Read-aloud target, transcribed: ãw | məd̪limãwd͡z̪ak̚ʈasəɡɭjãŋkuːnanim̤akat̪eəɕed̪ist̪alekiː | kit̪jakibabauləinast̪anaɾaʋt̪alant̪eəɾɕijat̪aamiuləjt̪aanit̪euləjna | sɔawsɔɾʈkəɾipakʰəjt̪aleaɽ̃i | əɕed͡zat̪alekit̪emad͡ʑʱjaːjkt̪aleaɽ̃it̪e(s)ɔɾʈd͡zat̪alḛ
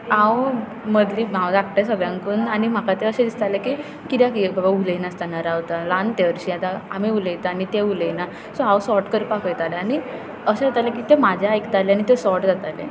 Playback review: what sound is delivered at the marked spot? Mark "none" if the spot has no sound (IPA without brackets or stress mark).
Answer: s